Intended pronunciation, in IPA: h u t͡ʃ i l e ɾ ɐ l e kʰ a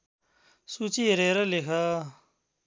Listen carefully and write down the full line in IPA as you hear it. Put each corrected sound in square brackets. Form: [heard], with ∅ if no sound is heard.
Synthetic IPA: [s] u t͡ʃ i [ɾ] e ɾ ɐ l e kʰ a